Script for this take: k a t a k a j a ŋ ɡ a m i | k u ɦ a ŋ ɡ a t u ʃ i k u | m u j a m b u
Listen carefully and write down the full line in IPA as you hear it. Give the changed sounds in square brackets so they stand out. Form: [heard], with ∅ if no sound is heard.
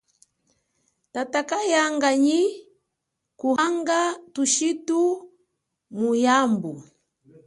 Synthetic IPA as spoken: [t] a t a k a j a ŋ ɡ a [ɲ] i | k u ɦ a ŋ ɡ a t u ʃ i [t] u | m u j a m b u